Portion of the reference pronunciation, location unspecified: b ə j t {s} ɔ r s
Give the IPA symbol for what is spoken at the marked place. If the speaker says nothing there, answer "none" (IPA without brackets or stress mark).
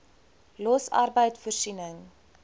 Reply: f